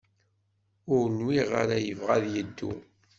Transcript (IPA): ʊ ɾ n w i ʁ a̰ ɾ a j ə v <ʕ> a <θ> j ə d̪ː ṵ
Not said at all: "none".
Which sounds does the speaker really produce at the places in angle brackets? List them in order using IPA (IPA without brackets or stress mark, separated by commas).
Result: ʁ, ð